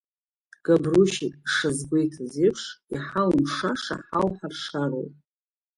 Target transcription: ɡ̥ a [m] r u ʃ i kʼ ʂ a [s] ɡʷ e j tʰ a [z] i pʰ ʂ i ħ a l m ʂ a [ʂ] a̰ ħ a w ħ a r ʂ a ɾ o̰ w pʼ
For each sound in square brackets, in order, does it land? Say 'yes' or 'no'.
no, no, yes, yes

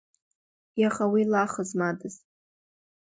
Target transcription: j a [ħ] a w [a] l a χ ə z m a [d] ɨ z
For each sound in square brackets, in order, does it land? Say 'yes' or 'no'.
no, no, yes

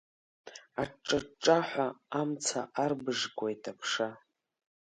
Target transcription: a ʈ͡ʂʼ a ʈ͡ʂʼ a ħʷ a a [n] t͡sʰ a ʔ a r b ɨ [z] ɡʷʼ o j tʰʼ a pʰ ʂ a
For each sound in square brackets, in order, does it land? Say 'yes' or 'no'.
no, no

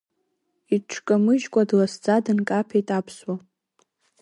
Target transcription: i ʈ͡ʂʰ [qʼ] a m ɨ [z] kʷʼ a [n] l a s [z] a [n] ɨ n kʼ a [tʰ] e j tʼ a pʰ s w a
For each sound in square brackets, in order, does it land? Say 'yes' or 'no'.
no, no, no, no, no, no

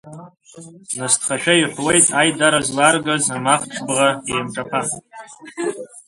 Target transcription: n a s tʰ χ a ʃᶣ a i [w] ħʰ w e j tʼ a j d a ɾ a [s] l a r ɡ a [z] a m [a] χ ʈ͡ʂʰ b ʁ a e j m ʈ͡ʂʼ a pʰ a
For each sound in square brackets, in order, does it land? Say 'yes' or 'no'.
no, no, yes, yes

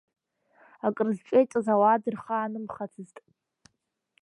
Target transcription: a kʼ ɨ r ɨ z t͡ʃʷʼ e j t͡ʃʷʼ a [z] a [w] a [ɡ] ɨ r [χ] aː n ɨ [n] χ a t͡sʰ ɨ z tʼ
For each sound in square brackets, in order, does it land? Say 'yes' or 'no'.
yes, yes, no, yes, no

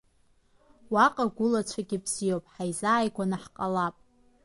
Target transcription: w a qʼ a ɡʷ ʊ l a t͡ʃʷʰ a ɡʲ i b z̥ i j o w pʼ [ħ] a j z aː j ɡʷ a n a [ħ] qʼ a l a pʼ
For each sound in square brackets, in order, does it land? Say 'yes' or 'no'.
yes, yes

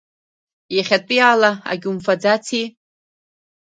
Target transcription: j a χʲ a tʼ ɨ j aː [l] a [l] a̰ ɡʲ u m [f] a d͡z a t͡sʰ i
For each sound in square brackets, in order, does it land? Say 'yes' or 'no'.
yes, no, yes

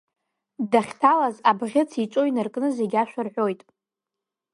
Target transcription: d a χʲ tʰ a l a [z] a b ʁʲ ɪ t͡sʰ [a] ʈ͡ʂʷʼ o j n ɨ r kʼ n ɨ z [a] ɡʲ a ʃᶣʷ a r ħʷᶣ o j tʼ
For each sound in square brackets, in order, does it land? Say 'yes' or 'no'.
yes, no, no

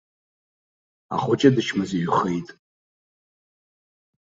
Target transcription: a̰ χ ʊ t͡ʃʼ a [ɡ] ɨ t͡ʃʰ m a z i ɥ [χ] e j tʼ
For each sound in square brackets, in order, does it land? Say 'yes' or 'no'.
no, yes

